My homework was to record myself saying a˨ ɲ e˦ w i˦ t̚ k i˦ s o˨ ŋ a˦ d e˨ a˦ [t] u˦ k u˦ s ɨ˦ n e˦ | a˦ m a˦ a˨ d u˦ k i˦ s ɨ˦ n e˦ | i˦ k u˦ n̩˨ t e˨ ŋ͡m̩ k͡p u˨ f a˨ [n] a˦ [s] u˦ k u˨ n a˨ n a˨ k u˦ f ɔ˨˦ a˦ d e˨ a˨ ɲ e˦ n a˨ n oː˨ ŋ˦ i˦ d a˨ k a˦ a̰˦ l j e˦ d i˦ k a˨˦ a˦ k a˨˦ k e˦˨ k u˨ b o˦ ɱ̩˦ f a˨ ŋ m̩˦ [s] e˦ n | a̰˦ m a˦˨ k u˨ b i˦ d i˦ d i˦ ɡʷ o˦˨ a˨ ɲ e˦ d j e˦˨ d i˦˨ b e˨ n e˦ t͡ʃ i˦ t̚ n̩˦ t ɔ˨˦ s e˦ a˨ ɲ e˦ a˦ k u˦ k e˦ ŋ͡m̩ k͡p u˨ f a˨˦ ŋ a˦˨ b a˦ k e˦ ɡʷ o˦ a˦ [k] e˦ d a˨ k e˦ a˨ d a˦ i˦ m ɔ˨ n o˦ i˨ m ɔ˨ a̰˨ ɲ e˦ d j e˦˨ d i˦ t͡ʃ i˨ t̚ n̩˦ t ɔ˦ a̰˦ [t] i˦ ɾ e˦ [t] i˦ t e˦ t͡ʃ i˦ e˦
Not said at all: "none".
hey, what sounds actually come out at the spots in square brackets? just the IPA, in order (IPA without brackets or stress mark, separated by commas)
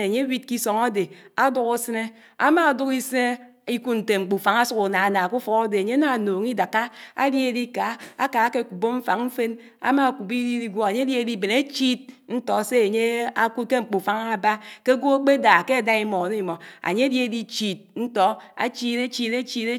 d, ŋ, s, f, k͡p, t͡ʃ, t͡ʃ